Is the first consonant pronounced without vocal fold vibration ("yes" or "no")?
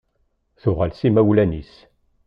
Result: yes